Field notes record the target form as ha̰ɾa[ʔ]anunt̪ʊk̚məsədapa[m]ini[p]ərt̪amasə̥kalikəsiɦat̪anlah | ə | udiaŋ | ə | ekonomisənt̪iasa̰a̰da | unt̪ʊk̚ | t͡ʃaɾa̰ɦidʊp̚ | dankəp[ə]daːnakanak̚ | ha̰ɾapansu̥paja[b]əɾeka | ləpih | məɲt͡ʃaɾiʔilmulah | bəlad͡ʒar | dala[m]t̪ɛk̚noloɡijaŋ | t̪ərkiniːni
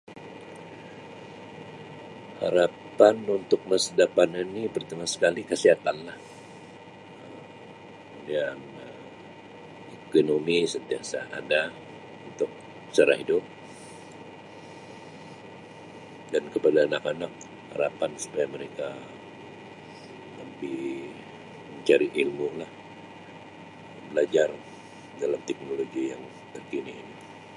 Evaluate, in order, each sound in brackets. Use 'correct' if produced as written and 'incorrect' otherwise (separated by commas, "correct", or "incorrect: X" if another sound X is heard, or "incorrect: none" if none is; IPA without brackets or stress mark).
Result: incorrect: p, incorrect: n, correct, incorrect: a, incorrect: m, correct